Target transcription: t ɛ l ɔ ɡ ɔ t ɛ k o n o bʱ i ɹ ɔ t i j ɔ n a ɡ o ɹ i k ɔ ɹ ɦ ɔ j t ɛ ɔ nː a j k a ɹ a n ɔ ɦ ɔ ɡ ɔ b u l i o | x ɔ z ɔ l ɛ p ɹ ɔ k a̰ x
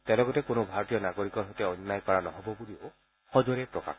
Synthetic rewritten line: t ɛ l ɔ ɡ ɔ t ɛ k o n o bʱ a ɹ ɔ t i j ɔ n a ɡ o ɹ i k ɔ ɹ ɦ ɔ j t ɛ ɔ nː a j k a ɹ a n ɔ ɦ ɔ b ɔ b u l i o | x ɔ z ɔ ɹ ɛ p ɹ ɔ k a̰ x